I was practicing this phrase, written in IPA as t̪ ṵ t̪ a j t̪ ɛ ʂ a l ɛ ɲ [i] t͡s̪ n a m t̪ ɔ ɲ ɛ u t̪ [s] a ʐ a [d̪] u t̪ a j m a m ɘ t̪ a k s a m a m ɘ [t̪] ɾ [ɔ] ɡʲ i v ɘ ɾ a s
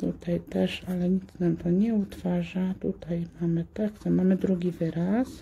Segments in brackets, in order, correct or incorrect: correct, incorrect: f, incorrect: t̪, incorrect: d̪, incorrect: u

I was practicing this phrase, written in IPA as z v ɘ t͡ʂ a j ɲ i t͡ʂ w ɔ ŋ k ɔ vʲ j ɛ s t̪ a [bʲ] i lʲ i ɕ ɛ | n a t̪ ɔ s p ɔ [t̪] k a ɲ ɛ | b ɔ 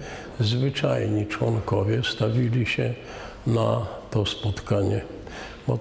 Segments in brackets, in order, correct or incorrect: incorrect: vʲ, correct

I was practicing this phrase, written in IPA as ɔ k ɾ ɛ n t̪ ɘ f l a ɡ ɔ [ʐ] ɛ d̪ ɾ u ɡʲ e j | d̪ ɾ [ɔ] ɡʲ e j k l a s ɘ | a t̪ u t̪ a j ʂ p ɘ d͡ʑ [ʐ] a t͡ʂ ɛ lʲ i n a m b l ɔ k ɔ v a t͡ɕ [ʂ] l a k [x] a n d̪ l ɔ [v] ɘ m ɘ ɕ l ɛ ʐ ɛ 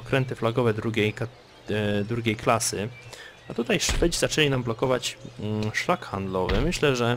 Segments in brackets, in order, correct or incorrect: incorrect: v, incorrect: u, incorrect: z, correct, correct, correct

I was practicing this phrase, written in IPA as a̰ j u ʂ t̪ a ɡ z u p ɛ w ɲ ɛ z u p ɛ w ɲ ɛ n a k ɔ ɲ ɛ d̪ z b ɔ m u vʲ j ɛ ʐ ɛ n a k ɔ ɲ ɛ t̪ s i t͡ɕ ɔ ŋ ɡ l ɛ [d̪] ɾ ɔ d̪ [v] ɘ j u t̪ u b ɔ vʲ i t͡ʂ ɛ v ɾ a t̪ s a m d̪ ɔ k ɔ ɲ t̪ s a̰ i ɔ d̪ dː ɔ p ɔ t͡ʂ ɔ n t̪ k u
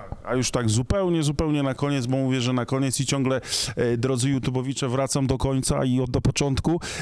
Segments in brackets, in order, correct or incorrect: correct, incorrect: z

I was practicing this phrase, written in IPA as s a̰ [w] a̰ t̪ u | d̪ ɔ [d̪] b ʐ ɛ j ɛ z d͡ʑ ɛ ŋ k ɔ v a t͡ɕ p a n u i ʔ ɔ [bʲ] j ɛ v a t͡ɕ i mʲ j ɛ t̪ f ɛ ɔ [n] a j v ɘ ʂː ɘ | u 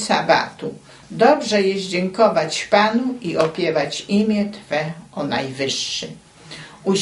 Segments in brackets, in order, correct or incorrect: incorrect: b, incorrect: none, incorrect: pʲ, correct

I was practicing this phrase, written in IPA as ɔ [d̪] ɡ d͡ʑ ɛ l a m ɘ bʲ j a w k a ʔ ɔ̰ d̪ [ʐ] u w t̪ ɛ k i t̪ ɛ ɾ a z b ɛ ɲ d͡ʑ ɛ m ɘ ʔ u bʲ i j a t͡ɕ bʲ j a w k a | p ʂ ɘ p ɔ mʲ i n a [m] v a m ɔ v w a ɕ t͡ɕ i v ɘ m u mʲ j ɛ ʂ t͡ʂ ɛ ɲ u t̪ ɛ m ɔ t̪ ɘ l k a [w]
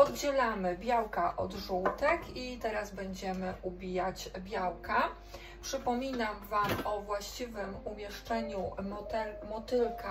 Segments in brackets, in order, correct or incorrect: correct, correct, correct, incorrect: none

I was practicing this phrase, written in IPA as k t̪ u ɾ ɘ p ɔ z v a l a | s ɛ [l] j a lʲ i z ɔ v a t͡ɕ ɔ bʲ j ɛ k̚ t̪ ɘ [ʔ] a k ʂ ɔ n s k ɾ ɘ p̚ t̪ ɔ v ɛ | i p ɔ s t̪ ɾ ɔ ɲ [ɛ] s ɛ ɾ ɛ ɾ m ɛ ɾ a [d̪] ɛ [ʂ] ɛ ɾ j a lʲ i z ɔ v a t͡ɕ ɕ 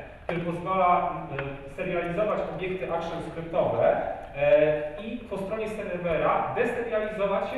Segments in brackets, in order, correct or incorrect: incorrect: ɾ, correct, correct, correct, incorrect: s

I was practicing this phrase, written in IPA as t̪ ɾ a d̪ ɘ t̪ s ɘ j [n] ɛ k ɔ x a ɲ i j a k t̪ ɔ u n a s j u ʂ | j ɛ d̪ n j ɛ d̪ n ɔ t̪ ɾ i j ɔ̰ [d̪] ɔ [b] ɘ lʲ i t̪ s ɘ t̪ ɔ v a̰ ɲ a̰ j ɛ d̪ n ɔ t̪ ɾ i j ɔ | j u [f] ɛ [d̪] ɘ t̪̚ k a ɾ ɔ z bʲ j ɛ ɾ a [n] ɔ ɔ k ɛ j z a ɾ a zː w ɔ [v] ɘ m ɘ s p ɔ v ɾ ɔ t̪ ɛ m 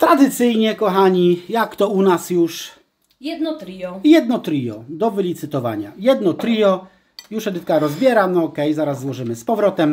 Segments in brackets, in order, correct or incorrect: incorrect: ɲ, correct, incorrect: v, incorrect: ʂ, correct, correct, incorrect: ʐ

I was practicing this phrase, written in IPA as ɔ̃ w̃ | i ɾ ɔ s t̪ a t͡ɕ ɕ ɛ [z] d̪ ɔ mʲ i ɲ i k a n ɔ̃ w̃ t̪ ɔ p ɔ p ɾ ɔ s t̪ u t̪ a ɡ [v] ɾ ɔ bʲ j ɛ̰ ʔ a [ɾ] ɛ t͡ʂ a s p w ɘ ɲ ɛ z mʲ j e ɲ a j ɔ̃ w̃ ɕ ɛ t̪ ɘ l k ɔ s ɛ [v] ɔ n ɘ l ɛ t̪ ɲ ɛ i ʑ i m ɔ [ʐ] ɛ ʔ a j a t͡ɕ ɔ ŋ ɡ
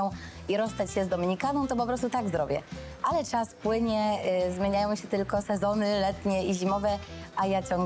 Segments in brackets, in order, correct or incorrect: correct, incorrect: z, incorrect: l, incorrect: z, incorrect: v

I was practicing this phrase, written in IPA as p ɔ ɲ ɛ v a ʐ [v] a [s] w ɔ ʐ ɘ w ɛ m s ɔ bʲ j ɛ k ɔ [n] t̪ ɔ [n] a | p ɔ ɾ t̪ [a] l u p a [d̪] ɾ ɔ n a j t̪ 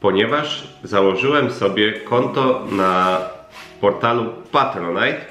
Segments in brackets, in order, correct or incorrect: incorrect: z, incorrect: none, correct, correct, correct, incorrect: t̪

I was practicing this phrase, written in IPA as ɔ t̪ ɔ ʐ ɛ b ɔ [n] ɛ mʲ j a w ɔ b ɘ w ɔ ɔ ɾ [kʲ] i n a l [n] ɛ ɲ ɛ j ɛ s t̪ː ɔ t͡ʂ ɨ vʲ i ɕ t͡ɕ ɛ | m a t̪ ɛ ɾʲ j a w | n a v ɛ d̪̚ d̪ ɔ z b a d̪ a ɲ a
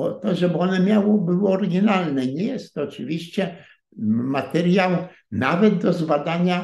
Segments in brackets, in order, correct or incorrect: correct, incorrect: ɡʲ, correct

